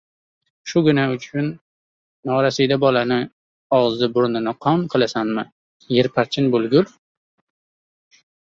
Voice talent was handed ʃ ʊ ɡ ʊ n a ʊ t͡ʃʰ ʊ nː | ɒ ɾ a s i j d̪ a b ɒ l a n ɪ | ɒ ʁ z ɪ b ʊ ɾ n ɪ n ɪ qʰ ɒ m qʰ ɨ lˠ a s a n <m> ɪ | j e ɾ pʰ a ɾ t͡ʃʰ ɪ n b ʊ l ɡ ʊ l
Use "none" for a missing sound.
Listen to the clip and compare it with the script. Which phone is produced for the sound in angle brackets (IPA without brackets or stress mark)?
m